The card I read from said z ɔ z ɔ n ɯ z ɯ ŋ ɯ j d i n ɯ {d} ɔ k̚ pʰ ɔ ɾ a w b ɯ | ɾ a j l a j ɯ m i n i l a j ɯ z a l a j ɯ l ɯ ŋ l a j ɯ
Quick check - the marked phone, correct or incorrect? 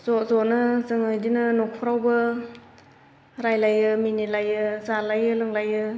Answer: incorrect: n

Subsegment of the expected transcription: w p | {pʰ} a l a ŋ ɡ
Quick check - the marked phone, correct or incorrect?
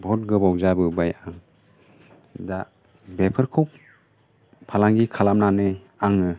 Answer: correct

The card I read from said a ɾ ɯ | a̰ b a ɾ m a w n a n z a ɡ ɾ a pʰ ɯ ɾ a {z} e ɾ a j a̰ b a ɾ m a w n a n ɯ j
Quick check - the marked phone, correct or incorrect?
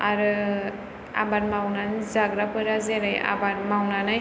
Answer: correct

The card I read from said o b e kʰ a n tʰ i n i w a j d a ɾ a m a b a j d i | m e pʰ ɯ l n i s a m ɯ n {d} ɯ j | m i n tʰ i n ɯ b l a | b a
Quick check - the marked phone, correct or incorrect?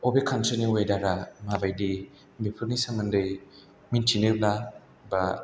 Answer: correct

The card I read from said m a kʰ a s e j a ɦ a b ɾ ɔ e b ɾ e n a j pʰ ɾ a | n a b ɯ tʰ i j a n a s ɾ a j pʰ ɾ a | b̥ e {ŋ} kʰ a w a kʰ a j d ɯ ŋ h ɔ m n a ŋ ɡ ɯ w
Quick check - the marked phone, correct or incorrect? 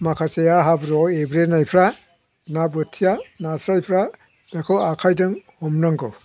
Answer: incorrect: none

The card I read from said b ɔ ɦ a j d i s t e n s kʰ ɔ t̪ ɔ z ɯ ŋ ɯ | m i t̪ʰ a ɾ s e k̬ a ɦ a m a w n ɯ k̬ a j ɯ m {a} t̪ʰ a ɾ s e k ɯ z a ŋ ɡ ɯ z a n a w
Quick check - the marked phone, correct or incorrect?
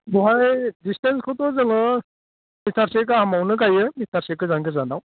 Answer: incorrect: i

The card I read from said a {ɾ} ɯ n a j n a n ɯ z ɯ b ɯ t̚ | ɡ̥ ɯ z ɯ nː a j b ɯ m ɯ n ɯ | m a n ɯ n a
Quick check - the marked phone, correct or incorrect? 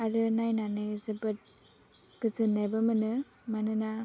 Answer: correct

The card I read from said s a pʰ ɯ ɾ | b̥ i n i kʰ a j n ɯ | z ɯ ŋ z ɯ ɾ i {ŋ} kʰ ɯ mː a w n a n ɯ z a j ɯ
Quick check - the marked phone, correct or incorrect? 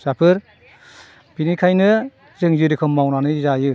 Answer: incorrect: none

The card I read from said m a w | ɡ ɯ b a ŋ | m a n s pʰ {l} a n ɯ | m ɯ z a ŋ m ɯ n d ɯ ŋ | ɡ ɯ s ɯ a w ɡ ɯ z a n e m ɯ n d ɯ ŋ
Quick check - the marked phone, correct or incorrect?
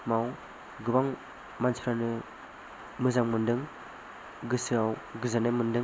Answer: incorrect: ɾ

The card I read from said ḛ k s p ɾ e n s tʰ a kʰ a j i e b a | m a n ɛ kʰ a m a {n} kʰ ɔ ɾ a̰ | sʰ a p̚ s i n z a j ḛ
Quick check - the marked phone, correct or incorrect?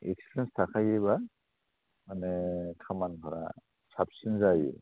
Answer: correct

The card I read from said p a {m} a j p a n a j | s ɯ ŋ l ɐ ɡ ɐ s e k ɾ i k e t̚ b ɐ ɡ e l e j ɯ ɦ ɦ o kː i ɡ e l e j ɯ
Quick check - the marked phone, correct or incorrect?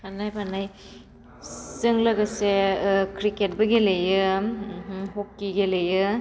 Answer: incorrect: n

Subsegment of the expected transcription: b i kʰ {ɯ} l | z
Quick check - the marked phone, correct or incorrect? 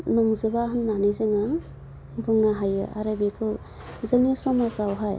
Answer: correct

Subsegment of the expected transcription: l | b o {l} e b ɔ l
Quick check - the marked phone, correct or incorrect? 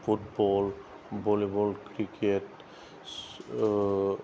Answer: correct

